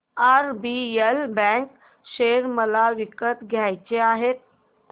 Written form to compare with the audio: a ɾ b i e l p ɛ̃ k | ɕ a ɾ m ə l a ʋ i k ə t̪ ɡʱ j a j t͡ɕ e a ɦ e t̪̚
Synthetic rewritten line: a ɾ b i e l b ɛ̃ k | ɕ e ɾ m ə l a ʋ i k ə t̪ ɡʱ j a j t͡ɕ e a ɦ e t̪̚